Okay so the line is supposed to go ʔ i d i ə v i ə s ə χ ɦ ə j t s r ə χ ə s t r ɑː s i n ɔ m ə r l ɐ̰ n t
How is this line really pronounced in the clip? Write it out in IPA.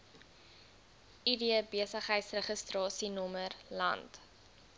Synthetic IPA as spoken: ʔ i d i ə b i ə s ə χ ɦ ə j t s r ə χ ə s t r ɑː s i n ɔ m ə r l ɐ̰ n t